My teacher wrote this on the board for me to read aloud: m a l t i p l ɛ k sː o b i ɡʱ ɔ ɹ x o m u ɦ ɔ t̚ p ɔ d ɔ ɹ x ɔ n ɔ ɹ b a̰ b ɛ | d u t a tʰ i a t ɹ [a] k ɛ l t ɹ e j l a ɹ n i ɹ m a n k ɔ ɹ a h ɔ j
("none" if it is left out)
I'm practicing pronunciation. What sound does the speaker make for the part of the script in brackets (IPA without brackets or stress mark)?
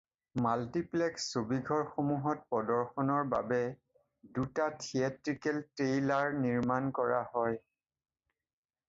i